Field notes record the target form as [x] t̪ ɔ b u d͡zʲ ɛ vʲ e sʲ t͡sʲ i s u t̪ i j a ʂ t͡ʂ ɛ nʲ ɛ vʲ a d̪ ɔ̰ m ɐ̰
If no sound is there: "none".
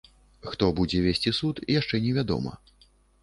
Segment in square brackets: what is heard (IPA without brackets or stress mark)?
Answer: x